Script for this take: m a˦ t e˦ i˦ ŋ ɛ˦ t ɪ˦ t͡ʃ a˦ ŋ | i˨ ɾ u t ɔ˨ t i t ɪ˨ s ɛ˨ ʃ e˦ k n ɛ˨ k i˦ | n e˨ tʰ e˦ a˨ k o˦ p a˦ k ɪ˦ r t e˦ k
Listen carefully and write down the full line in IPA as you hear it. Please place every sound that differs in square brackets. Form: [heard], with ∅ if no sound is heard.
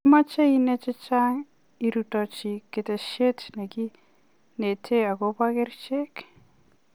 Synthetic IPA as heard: m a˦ [t͡ʃ] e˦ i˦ [n] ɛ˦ [t͡ʃ] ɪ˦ t͡ʃ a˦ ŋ | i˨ ɾ u t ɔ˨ [t͡ʃ] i [k] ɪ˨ [t] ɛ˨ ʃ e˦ [t] n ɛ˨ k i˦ | n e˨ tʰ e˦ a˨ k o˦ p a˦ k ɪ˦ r [t͡ʃ] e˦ k

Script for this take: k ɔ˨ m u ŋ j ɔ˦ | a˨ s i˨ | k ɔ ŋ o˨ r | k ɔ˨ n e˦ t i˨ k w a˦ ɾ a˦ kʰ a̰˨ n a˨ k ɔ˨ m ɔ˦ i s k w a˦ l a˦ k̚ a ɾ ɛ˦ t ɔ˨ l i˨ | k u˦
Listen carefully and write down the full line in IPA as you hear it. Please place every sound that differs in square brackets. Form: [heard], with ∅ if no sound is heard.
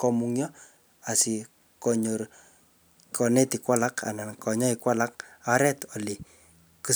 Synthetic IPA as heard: k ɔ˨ m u ŋ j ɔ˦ | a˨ s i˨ | k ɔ [ɲ] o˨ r | k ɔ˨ n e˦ t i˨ k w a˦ [l] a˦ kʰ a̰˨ n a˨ k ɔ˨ [ɲ] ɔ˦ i [∅] k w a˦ l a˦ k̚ a ɾ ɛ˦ t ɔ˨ l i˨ | k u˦

